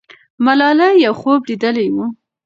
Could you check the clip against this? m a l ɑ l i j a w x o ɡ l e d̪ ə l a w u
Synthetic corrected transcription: m a l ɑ l a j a w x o b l i d̪ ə l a w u

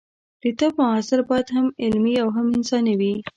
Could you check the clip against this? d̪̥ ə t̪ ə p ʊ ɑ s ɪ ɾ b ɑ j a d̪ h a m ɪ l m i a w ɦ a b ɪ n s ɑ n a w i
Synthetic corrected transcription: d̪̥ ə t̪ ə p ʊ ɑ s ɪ ɾ b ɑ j a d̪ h a m ɪ l m i a w ɦ a m ɪ n s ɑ n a w i

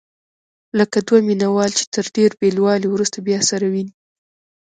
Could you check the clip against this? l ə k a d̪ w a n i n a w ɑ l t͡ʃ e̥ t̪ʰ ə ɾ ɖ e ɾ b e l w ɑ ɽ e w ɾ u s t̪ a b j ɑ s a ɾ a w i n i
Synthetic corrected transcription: l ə k a d̪ w a m i n a w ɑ l t͡ʃ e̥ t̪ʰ ə ɾ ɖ e ɾ b e l w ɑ l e w ɾ u s t̪ a b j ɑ s a ɾ a w i n i

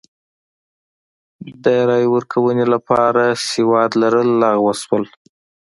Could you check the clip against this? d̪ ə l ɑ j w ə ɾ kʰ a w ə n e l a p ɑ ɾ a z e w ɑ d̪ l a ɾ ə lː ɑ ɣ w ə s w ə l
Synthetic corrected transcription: d̪ ə ɾ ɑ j w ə ɾ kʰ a w ə n e l a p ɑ ɾ a s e w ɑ d̪ l a ɾ ə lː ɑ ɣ w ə s w ə l

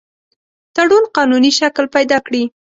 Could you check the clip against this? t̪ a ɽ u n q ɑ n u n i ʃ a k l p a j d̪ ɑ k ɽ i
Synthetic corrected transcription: t̪ a ɽ u n q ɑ n u n i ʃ a k l p a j d̪ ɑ k ɽ i

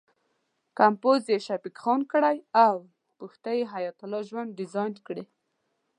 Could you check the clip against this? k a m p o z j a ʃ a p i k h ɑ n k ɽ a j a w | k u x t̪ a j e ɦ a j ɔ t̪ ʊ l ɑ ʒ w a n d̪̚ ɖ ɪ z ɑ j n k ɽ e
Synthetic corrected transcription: k a m p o z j e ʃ a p i k x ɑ n k ɽ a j a w | p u x t̪ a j e ɦ a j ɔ t̪ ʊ l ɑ ʒ w a n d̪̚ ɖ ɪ z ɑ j n k ɽ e

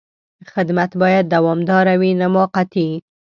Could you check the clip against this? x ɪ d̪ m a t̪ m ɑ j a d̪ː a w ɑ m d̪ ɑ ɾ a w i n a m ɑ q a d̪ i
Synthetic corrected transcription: x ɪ d̪ m a t̪ b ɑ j a d̪ː a w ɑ m d̪ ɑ ɾ a w i n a m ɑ q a t̪ i

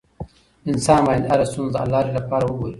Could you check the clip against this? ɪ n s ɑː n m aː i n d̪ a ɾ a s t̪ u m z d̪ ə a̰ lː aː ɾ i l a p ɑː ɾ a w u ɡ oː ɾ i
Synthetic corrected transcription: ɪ n s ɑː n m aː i n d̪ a ɾ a s t̪ u n z d̪ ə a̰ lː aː ɾ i l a p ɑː ɾ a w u ɡ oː ɾ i

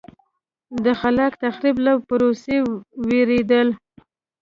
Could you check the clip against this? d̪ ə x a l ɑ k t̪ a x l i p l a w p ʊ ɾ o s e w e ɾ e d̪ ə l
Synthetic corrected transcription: d̪ ə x a l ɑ k t̪ a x ɾ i b l a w p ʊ ɾ o s e w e ɾ e d̪ ə l

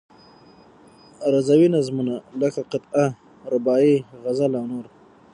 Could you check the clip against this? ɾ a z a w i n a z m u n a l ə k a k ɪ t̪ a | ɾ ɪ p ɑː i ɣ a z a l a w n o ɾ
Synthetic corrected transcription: ɾ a z a w i n a z m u n a l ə k a q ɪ t̪ a | ɾ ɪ b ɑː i ɣ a z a l a w n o ɾ

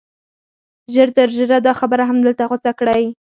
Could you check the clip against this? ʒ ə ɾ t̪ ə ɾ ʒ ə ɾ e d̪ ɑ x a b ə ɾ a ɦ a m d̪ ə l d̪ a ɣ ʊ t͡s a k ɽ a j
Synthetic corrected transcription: ʒ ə ɾ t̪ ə ɾ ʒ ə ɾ a d̪ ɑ x a b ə ɾ a ɦ a m d̪ ə l t̪ a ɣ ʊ t͡s a k ɽ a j

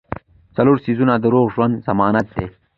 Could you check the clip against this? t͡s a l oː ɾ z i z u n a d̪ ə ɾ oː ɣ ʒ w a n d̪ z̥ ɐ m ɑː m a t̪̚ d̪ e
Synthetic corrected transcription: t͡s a l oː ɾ s i z u n a d̪ ə ɾ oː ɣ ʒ w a n d̪ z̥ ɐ m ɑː n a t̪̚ d̪ e

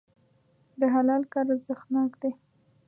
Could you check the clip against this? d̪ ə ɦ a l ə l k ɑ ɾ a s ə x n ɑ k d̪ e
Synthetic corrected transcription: d̪ ə ɦ a l ɑ l k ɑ ɾ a z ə x n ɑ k d̪ e

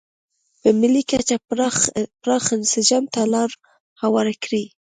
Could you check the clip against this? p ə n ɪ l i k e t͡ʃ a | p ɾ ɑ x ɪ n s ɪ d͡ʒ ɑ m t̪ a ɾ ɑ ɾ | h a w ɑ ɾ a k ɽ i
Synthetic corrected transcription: p ə m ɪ l i k a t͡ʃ a | p ɾ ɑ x ɪ n s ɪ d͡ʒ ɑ m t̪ a l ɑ ɾ | h a w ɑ ɾ a k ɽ i

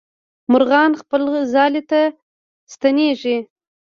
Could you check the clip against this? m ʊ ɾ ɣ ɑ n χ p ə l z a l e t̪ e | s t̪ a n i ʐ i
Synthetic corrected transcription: m ʊ ɾ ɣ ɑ n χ p ə l z ɑ l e t̪ a | s t̪ a n e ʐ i

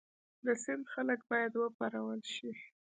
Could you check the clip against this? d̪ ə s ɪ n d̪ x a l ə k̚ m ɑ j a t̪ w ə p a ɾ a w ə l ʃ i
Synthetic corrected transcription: d̪ ə s ɪ n d̪ x a l ə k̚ b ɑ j a d̪ w ə p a ɾ a w ə l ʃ i

